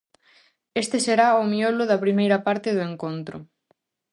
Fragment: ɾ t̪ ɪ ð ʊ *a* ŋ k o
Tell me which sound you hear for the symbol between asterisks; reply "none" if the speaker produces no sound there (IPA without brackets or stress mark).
e